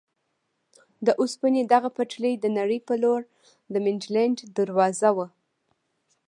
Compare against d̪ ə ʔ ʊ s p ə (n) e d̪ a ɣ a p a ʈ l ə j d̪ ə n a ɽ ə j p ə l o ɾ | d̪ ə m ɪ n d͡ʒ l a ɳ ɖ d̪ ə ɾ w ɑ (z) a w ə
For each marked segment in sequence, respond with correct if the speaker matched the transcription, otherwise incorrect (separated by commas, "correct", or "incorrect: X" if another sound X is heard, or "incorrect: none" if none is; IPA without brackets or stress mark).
correct, correct